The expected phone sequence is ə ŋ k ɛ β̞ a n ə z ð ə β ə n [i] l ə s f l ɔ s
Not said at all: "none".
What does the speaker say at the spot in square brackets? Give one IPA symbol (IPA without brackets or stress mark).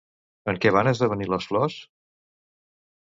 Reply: i